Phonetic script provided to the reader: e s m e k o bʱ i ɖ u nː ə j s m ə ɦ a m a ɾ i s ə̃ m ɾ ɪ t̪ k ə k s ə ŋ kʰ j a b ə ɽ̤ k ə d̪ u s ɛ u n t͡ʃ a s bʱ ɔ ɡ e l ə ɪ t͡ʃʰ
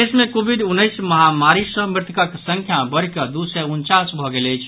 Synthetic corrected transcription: e s m e k o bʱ i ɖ u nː ə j s m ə ɦ a m a ɾ i s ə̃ m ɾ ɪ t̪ k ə k s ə ŋ kʰ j a b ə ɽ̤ k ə d̪ u s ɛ u n t͡ʃ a s bʱ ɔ ɡ e l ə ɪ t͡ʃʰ